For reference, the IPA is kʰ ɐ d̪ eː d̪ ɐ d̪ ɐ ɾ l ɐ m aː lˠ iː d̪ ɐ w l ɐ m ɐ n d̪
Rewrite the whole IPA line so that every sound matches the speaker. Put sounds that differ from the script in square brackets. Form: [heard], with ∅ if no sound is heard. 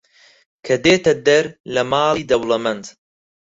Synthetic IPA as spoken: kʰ ɐ d̪ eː [t̪] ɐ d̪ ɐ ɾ l ɐ m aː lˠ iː d̪ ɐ w l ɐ m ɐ n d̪